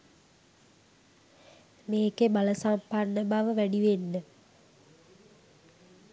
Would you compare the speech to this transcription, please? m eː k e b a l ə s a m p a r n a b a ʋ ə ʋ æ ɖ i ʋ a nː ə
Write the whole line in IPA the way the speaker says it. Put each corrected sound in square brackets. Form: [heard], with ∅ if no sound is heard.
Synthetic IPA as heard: m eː k e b a l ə s a m p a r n [ə] b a ʋ ə ʋ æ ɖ i ʋ [e] nː ə